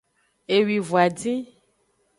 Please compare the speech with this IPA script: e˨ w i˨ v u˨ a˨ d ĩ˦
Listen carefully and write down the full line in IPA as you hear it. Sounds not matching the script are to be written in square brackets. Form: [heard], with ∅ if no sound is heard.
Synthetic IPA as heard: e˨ w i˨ v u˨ a˨ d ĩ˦